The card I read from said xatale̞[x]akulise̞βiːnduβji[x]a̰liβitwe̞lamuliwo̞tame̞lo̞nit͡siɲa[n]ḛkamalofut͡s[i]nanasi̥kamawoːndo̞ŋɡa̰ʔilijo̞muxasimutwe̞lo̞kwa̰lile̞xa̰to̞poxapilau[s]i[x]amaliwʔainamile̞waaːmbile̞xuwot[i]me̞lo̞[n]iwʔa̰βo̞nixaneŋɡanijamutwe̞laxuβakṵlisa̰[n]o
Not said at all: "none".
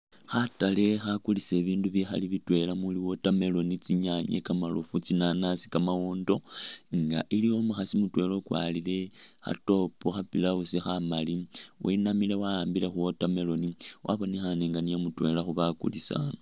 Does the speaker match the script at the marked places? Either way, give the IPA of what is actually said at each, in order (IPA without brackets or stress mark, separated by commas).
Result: x, x, ɲ, i, s, x, a, n, n